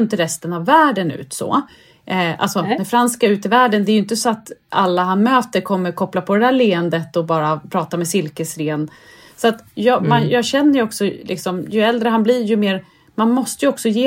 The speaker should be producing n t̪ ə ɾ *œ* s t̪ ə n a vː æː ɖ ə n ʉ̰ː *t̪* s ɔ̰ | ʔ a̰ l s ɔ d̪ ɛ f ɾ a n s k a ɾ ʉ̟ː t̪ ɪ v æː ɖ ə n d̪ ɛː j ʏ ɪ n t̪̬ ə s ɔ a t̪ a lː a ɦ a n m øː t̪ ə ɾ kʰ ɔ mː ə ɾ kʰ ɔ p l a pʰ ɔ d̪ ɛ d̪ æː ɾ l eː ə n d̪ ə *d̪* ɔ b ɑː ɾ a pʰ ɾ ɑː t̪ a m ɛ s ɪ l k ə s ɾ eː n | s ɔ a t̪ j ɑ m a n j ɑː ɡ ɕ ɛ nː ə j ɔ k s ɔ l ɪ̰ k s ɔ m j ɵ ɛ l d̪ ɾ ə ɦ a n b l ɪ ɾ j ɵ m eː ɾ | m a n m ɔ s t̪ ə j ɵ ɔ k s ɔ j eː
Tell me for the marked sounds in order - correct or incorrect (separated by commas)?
incorrect, correct, incorrect